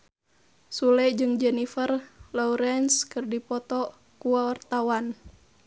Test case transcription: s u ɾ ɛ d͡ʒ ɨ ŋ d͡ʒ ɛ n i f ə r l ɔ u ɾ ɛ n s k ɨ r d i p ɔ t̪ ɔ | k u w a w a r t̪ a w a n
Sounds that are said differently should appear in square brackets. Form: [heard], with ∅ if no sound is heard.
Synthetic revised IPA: s u [l] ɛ d͡ʒ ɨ ŋ d͡ʒ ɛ n i f ə r l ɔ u ɾ ɛ n s k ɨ r d i p ɔ t̪ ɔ | k u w a w a r t̪ a w a n